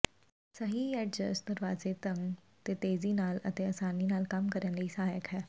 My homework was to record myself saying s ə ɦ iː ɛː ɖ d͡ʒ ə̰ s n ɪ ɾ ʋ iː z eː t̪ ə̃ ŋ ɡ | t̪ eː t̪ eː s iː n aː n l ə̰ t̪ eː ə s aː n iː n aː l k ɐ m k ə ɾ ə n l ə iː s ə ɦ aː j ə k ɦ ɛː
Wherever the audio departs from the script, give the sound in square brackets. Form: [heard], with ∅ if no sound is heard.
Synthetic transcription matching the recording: s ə ɦ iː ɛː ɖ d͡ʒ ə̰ s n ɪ ɾ ʋ [aː] z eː t̪ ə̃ ŋ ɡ | t̪ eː t̪ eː [z] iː n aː [∅] l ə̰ t̪ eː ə s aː n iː n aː l k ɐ m k ə ɾ ə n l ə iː s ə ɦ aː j ə k ɦ ɛː